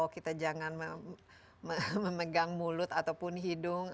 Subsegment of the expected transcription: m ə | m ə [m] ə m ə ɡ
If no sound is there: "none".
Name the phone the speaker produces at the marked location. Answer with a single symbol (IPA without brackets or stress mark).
m